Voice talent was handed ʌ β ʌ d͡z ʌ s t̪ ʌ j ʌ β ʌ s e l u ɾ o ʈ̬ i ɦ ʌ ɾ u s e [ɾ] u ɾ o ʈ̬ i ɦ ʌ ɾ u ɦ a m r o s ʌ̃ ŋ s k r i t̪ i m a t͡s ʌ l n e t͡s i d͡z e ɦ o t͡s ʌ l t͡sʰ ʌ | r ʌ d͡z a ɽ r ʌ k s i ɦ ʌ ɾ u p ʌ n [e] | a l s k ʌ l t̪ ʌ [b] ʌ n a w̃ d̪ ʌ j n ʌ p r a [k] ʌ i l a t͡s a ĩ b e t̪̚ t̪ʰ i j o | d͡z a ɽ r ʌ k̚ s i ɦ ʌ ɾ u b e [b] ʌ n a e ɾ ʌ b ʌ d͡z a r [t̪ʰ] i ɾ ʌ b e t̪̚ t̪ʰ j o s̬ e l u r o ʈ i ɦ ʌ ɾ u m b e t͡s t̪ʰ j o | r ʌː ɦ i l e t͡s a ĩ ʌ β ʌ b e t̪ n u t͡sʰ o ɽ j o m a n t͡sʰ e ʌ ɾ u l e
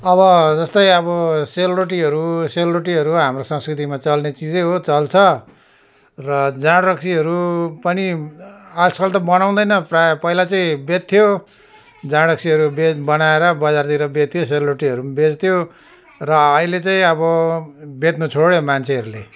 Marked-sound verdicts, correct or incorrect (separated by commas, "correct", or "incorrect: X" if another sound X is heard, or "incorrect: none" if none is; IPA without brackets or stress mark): incorrect: l, incorrect: i, correct, incorrect: p, correct, incorrect: t̪